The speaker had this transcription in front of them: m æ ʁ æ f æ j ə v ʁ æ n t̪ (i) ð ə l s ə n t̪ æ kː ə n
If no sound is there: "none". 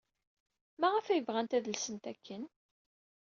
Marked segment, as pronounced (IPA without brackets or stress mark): æ